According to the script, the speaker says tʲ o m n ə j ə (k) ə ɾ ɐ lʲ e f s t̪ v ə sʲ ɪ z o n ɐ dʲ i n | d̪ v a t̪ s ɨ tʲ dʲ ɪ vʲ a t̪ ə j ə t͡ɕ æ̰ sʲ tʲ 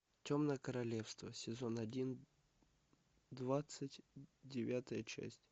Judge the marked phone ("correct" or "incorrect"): correct